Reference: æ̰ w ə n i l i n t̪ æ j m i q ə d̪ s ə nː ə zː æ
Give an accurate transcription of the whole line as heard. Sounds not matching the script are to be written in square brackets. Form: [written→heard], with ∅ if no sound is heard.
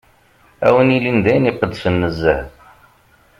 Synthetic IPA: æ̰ w ə n i l i n [t̪→d̪] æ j [m→n] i q ə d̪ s ə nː ə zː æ

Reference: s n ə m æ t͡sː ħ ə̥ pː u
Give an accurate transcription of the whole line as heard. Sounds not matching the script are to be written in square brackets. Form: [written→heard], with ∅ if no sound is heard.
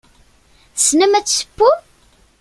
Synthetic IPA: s n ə m æ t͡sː [ħ→s] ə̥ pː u

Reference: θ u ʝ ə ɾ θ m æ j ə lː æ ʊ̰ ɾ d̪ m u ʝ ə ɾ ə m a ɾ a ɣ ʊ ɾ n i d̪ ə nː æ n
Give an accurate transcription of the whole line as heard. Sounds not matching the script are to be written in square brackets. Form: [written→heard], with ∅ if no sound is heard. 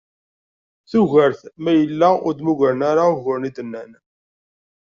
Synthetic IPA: θ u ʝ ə ɾ θ m æ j ə lː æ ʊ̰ ɾ d̪ m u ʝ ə ɾ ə [m→n] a ɾ a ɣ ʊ ɾ n i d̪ ə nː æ n

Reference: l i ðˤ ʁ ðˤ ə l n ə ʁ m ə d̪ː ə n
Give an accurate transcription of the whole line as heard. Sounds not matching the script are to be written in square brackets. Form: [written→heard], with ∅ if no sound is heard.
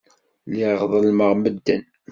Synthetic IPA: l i [ðˤ→∅] ʁ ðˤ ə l [n→m] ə ʁ m ə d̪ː ə n

